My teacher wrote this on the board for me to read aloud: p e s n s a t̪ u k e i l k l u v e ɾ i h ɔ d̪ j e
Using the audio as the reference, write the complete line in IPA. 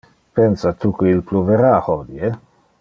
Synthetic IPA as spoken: p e n s a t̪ u k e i l p l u v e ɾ a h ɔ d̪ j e